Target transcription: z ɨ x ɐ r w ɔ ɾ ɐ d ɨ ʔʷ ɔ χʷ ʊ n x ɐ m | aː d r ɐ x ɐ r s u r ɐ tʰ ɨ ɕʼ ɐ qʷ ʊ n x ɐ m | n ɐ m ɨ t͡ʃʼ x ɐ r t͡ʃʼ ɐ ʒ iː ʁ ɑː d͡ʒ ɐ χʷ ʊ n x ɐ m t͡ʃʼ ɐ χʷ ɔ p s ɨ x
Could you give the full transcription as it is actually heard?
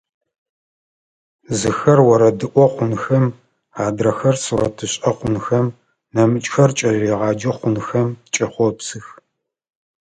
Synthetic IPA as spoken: z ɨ x ɐ r w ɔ ɾ ɐ d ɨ ʔʷ ɔ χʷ ʊ n x ɐ m | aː d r ɐ x ɐ r s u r ɐ tʰ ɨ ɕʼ ɐ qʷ ʊ n x ɐ m | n ɐ m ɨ t͡ʃʼ x ɐ r t͡ʃʼ ɐ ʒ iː ʁ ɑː d͡ʒ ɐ χʷ ʊ n x ɐ m t͡ʃʼ ɐ χʷ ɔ p s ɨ x